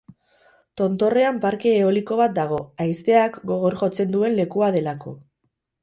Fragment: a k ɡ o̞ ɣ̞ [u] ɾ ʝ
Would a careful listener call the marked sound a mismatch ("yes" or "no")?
yes